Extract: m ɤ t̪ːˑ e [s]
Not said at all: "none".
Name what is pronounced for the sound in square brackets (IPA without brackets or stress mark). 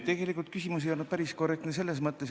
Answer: s